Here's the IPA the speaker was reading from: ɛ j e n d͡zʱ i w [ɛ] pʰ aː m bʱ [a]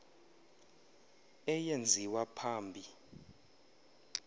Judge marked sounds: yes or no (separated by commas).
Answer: no, no